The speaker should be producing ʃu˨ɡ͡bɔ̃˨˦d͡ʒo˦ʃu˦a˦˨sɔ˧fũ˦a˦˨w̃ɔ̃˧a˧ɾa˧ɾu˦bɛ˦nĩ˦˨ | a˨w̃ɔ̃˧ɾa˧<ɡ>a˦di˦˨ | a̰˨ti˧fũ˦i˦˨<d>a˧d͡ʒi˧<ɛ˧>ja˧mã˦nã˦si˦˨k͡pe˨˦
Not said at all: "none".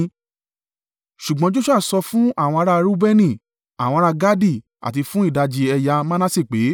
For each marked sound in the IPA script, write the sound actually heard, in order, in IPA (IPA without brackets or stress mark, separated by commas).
ɡ, d, ɛ˧